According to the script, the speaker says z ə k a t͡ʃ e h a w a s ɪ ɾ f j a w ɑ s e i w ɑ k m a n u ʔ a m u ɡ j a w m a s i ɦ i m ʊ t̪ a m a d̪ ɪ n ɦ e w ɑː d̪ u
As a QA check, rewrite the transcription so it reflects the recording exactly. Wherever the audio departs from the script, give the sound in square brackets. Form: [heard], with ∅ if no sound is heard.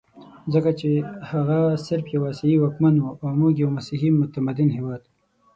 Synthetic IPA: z ə k a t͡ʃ e h a [ɣ] a s ɪ ɾ f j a w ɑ s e i w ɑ k m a n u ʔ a m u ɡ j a w m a s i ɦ i m ʊ t̪ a m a d̪ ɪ n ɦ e w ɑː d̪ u